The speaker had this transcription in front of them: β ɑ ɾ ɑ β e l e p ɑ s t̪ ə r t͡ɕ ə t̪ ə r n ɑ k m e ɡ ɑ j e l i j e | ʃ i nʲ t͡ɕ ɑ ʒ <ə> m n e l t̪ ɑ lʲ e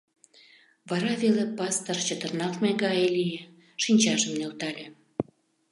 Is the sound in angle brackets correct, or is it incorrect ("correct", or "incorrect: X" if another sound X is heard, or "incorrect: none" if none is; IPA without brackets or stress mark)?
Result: correct